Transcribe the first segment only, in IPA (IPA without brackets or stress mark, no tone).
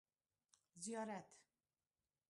z